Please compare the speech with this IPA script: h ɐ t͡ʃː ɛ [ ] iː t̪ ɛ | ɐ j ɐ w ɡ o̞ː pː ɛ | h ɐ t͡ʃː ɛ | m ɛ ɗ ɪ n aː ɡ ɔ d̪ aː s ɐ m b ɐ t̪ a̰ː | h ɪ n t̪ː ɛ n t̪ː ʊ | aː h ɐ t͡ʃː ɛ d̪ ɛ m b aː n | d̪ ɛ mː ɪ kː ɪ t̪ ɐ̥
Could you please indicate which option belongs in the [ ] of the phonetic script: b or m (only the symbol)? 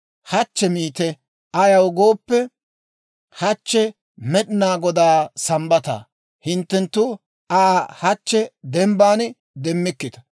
m